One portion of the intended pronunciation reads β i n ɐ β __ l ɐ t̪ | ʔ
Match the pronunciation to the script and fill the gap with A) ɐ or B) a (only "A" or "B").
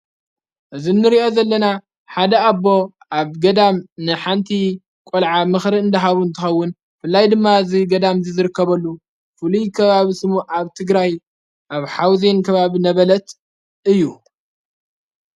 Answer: A